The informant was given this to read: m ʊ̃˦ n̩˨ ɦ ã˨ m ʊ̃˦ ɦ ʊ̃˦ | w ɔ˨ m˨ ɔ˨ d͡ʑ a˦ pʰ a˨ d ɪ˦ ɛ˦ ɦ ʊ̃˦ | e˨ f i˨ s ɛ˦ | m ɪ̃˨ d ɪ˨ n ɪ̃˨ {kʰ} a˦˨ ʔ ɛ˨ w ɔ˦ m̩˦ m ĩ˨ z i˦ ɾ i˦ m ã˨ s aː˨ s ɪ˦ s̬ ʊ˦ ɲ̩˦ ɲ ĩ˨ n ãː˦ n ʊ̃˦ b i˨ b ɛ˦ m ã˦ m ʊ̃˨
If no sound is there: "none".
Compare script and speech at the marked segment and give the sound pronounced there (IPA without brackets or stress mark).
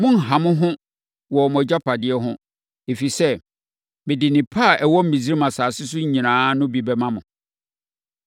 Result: pʰ